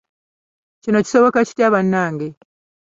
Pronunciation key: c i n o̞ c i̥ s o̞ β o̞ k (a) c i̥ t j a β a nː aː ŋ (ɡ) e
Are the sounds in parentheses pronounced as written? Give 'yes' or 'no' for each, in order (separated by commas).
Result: yes, yes